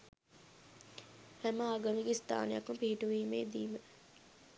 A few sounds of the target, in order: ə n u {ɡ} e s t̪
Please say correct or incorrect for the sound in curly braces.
correct